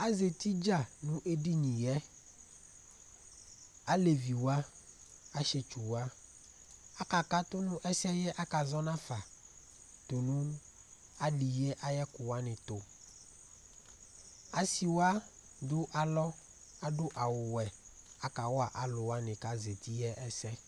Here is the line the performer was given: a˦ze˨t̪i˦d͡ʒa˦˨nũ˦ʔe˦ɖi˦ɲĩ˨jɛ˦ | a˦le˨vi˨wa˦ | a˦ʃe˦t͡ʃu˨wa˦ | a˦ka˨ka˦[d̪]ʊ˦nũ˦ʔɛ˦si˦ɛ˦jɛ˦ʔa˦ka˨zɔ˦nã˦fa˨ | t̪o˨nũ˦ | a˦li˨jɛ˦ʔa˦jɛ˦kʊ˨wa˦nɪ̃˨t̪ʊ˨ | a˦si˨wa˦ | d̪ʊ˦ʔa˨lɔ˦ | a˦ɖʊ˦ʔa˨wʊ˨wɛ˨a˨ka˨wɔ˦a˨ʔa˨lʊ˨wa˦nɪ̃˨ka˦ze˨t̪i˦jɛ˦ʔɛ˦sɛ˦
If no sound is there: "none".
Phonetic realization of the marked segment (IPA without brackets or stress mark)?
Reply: t̪